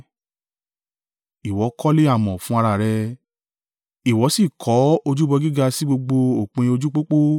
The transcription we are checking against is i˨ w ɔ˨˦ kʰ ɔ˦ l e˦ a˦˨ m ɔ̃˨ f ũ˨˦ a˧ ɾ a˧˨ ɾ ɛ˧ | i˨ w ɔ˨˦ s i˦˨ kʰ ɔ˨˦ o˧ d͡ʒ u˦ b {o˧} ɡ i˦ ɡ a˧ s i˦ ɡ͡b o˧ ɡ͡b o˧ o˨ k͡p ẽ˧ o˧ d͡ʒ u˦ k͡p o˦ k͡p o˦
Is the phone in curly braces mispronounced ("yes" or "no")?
yes